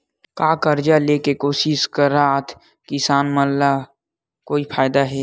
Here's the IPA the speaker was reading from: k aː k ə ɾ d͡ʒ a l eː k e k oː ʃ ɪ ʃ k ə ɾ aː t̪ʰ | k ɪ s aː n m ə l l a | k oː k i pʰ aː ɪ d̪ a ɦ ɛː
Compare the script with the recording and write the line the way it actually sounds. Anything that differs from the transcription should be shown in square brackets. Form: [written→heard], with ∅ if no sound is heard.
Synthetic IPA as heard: k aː k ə ɾ d͡ʒ a l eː k e k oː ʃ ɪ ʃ k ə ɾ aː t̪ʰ | k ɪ s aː n m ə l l a | k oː [k→∅] i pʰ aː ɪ d̪ a ɦ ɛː